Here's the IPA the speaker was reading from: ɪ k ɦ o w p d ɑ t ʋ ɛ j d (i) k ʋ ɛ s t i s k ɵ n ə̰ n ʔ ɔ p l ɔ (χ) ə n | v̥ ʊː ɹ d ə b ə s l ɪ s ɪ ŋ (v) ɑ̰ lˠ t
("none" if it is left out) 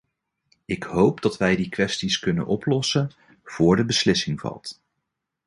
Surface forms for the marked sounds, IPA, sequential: i, s, v

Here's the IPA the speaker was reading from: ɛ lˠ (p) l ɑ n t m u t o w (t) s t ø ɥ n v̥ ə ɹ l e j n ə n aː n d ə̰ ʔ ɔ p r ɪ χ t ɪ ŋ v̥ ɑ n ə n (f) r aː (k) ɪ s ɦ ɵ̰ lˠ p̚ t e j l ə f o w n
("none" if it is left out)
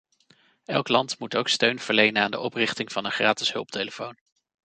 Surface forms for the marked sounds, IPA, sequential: k, k, χ, t

